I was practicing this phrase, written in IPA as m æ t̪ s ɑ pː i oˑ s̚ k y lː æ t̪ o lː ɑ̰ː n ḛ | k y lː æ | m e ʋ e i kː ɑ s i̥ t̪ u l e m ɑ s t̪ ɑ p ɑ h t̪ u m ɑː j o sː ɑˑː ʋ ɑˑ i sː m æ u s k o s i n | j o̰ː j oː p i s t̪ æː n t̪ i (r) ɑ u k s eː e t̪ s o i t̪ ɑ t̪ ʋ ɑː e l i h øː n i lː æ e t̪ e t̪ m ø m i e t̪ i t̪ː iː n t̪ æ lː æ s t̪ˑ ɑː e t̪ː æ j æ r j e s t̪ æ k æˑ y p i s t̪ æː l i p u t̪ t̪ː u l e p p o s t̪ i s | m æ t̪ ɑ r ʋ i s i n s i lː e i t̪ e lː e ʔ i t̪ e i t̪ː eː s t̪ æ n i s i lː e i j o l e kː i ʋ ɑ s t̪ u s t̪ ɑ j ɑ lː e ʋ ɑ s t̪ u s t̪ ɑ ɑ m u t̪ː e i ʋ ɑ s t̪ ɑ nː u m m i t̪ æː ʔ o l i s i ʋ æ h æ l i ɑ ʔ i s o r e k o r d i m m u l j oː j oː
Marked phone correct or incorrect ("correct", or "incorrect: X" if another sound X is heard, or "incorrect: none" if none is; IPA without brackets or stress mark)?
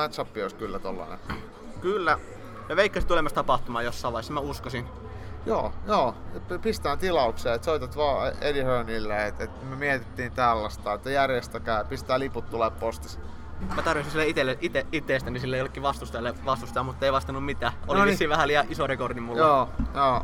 incorrect: l